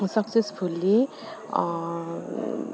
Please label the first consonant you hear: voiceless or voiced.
voiceless